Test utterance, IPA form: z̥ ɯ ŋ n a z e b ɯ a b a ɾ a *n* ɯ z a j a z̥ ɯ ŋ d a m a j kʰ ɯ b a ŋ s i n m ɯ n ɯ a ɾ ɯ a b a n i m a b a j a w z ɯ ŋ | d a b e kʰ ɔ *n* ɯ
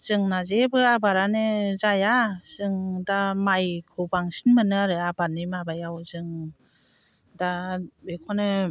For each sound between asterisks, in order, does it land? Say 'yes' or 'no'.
yes, yes

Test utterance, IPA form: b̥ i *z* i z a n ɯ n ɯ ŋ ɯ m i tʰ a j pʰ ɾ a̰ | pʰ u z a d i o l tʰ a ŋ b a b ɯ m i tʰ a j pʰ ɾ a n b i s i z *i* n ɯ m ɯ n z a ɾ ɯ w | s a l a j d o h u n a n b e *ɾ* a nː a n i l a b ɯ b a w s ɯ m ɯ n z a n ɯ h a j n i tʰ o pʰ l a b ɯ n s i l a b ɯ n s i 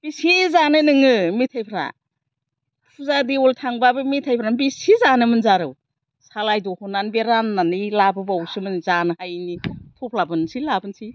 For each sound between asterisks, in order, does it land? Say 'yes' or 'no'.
no, no, yes

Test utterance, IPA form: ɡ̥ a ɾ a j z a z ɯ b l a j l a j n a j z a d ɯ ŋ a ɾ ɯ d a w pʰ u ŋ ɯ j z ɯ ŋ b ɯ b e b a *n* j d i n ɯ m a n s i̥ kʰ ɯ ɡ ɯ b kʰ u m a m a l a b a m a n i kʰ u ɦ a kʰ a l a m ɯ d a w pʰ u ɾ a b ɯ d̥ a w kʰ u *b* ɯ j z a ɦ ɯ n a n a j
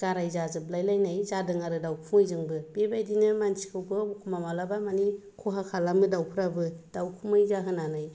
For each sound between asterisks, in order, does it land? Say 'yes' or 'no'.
no, no

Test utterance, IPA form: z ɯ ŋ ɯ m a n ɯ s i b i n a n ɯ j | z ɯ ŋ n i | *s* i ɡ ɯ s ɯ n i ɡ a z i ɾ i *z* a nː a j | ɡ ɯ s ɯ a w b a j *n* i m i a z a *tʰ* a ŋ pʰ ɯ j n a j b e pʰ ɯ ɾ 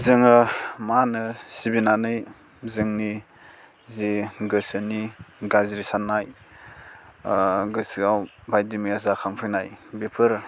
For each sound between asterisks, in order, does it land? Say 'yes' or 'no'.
no, no, no, no

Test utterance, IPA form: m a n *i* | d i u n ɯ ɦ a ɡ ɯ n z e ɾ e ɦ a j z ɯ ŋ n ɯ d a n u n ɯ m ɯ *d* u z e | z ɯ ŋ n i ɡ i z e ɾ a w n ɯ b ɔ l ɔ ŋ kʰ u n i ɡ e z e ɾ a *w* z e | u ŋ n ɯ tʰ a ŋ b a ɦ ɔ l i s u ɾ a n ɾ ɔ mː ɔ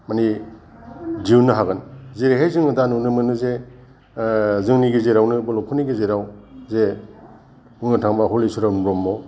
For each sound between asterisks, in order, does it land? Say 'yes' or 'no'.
yes, no, yes

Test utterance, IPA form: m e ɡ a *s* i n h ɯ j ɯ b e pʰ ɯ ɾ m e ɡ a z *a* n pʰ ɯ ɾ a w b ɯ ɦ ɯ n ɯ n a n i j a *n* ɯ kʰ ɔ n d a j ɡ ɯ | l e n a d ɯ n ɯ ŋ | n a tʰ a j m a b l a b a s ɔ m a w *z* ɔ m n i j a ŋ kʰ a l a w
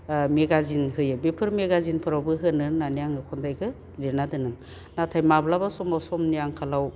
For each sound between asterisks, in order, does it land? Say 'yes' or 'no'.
no, no, no, no

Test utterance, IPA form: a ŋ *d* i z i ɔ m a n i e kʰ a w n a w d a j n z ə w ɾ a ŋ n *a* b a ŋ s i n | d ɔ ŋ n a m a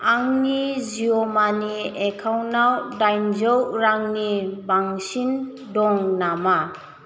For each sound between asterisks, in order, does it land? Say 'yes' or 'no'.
no, no

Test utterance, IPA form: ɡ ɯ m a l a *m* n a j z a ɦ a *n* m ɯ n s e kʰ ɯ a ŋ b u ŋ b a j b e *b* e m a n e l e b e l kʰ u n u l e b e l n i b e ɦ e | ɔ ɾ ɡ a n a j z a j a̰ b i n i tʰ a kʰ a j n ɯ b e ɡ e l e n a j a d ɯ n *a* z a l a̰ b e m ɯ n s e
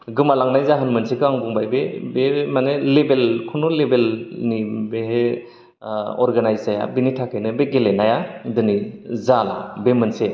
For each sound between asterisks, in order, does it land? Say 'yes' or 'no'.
no, yes, yes, no

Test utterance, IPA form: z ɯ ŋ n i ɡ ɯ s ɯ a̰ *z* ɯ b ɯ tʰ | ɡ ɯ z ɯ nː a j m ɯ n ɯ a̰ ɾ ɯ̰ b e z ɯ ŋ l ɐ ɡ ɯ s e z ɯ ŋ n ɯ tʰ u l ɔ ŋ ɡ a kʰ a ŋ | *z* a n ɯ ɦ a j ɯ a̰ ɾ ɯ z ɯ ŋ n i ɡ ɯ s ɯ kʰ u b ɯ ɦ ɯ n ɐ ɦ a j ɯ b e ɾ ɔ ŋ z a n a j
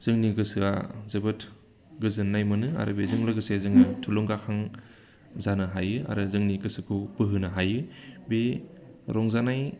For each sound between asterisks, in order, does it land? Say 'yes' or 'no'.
yes, yes

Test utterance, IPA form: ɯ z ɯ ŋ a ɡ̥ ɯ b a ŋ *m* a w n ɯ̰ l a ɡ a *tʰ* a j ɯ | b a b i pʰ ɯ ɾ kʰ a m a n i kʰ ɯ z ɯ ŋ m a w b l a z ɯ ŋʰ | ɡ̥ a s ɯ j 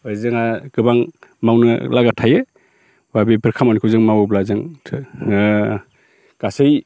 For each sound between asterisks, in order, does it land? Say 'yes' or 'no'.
yes, yes

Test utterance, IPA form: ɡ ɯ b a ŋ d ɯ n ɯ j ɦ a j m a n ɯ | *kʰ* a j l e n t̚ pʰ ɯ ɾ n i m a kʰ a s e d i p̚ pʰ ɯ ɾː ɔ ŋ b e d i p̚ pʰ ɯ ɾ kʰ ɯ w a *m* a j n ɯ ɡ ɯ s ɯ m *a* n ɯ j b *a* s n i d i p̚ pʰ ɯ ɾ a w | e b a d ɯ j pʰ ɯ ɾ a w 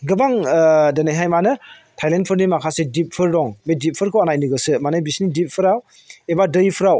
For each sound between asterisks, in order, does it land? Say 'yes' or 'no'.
no, no, yes, no

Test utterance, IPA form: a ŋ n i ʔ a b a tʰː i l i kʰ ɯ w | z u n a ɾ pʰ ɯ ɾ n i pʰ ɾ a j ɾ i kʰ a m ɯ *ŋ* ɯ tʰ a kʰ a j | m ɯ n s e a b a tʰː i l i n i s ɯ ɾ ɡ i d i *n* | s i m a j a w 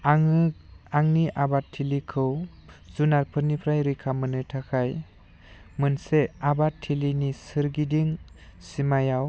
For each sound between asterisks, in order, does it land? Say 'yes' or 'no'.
no, no

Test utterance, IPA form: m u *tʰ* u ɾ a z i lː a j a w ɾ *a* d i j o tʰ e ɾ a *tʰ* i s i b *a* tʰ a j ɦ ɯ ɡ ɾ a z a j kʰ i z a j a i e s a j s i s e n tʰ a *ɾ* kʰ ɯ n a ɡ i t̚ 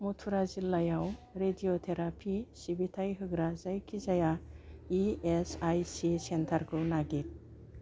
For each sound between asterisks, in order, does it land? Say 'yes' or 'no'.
yes, no, no, no, yes

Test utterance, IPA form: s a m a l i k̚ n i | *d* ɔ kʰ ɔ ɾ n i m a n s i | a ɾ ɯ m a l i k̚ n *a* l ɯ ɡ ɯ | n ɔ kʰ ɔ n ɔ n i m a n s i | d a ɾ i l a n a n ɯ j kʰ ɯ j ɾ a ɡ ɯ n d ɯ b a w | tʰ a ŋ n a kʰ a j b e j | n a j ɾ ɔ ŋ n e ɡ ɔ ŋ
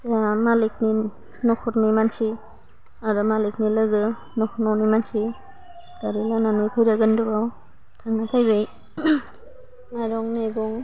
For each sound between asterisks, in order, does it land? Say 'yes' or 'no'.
no, no

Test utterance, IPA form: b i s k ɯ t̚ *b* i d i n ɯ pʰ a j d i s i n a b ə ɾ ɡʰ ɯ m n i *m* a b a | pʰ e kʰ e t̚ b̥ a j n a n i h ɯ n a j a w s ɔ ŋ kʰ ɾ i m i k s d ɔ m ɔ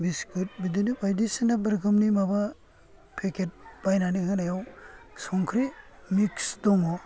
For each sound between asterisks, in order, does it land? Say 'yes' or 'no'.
yes, yes

